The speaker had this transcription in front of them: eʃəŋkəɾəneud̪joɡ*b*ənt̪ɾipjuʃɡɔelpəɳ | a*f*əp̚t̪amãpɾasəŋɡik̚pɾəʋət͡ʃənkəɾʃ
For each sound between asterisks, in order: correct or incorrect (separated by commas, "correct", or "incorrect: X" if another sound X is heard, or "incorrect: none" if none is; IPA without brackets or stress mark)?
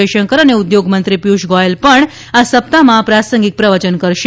incorrect: m, incorrect: s